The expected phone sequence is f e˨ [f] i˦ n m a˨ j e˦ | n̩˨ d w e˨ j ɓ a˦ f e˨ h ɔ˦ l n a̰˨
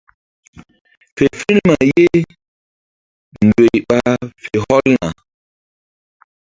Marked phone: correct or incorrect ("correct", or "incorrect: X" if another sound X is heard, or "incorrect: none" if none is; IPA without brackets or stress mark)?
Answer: correct